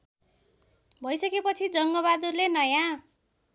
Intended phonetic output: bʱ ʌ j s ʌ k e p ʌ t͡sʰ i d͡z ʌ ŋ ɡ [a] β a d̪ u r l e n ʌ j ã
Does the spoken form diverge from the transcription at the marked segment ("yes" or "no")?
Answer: yes